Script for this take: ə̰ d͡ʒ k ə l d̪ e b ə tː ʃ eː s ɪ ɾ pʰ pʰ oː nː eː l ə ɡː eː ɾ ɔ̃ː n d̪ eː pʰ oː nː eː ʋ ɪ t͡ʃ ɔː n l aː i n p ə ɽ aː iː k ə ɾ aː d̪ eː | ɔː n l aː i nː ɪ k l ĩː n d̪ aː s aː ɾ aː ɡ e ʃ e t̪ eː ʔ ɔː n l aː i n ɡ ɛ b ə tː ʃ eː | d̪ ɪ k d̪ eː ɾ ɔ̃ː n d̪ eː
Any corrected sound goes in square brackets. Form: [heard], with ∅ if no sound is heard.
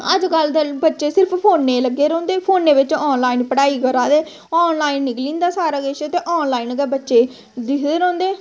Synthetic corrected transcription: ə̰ d͡ʒ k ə l d̪ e b ə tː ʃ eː s ɪ ɾ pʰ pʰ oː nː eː l ə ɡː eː ɾ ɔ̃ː n d̪ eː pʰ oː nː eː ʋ ɪ t͡ʃ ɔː n l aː i n p ə ɽ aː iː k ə ɾ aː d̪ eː | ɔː n l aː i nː ɪ k l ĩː n d̪ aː s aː ɾ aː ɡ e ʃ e t̪ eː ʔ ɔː n l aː i n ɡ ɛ b ə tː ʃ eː | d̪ ɪ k d̪ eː ɾ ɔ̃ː n d̪ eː

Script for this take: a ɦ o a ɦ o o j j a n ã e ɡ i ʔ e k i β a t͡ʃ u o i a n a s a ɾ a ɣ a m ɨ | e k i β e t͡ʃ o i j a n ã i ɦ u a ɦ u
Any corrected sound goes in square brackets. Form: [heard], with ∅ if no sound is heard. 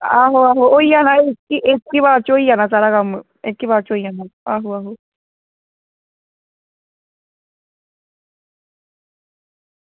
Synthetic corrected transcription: a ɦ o a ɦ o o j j a n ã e [k] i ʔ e k i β a t͡ʃ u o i a n a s a ɾ a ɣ a m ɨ | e k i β [a] t͡ʃ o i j a n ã [a] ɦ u a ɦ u

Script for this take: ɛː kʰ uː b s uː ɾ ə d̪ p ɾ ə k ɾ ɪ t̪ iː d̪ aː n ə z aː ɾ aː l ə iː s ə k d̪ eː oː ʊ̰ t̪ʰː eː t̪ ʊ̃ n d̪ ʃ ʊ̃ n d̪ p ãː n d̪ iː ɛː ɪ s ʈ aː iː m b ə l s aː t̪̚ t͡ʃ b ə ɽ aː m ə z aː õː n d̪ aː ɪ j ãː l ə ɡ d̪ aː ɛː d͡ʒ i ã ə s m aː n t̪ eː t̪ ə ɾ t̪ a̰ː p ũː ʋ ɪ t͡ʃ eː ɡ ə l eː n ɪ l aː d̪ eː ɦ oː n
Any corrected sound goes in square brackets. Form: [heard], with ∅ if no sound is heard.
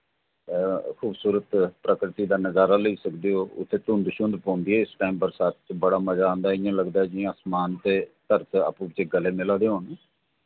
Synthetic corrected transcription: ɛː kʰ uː b s uː ɾ ə [t̪] p ɾ ə k ɾ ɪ t̪ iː d̪ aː n ə z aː ɾ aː l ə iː s ə k d̪ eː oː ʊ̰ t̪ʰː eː t̪ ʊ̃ n d̪ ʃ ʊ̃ n d̪ p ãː n d̪ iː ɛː ɪ s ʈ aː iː m b ə [ɾ] s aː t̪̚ t͡ʃ b ə ɽ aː m ə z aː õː n d̪ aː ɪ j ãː l ə ɡ d̪ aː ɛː d͡ʒ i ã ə s m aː n t̪ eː t̪ ə ɾ t̪ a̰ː p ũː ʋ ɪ t͡ʃ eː ɡ ə l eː [m] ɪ l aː d̪ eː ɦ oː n

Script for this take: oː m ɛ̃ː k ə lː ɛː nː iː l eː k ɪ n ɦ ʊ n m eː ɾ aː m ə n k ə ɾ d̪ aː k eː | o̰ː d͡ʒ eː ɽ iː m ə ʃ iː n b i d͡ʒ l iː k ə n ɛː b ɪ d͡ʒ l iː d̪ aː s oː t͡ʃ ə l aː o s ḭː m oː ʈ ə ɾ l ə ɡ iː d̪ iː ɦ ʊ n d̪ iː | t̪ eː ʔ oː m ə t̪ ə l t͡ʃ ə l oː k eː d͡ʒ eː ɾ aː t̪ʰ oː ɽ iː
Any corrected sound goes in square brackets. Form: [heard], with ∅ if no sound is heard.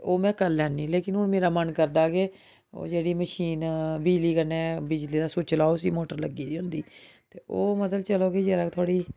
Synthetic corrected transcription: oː m ɛ̃ː k ə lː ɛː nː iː l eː k ɪ n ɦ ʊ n m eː ɾ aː m ə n k ə ɾ d̪ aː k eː | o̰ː d͡ʒ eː ɽ iː m ə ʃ iː n b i d͡ʒ l iː k ə n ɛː b ɪ d͡ʒ l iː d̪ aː s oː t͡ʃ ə l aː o s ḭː m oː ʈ ə ɾ l ə ɡ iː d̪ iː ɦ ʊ n d̪ iː | t̪ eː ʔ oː m ə t̪ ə l t͡ʃ ə l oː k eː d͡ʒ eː ɾ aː t̪ʰ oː ɽ iː

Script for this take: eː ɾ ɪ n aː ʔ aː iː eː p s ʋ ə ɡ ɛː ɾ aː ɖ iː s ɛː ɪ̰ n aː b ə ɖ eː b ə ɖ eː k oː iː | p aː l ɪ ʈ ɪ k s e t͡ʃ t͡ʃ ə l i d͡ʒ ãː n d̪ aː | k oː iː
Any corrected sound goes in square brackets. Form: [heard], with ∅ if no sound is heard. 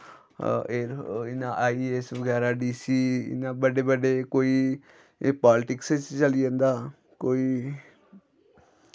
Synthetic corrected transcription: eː ɾ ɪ n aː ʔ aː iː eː [∅] s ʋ ə ɡ ɛː ɾ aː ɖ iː s [iː] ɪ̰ n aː b ə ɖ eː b ə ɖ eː k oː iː | p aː l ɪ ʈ ɪ k s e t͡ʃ t͡ʃ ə l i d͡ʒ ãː n d̪ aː | k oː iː

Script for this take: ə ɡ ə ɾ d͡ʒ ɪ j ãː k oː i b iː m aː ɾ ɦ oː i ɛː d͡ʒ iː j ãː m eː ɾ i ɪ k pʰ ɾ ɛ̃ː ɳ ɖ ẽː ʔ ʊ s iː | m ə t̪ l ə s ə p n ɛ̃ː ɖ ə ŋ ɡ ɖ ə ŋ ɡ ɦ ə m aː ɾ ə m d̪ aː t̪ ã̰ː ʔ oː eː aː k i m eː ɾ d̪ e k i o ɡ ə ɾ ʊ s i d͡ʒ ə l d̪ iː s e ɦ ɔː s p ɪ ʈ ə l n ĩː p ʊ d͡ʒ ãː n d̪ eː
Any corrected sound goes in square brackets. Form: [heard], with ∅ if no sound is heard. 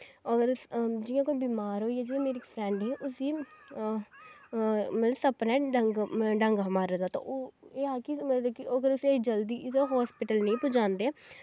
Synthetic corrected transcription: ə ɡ ə ɾ d͡ʒ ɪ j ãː k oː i b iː m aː ɾ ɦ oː i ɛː d͡ʒ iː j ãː m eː ɾ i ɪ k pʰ ɾ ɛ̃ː ɳ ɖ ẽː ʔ ʊ s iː | m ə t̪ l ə s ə p n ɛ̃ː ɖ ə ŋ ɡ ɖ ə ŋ ɡ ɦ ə m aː ɾ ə [∅] d̪ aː t̪ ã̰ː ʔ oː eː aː k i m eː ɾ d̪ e k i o ɡ ə ɾ ʊ s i d͡ʒ ə l d̪ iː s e ɦ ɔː s p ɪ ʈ ə l n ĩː p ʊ d͡ʒ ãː n d̪ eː

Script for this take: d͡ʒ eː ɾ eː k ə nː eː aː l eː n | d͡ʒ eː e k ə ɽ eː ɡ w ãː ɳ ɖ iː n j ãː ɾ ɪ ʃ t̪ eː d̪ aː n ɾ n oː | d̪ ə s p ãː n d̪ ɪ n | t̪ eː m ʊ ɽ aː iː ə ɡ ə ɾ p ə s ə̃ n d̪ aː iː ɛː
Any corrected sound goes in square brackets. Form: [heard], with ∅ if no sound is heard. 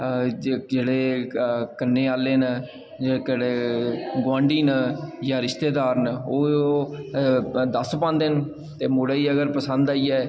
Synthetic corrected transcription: d͡ʒ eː [ɽ] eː k ə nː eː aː l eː n | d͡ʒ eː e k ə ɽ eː ɡ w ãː ɳ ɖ iː n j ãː ɾ ɪ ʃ t̪ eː d̪ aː [∅] ɾ n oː | d̪ ə s p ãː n d̪ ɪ n | t̪ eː m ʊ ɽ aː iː ə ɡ ə ɾ p ə s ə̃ n d̪ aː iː ɛː

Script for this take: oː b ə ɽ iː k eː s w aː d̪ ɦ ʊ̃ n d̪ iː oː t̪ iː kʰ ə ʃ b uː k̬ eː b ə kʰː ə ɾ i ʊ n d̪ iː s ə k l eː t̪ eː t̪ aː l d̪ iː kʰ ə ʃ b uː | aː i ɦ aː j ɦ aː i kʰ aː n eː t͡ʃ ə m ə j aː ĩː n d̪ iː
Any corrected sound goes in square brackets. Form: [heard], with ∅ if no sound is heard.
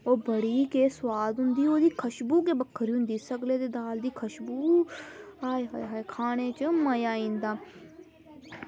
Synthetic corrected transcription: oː b ə ɽ iː k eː s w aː d̪ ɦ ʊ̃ n d̪ iː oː [d̪] iː kʰ ə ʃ b uː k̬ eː b ə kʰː ə ɾ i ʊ n d̪ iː s ə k l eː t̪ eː [d̪] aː l d̪ iː kʰ ə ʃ b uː | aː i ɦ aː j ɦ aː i kʰ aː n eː t͡ʃ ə m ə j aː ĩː n d̪ [aː]

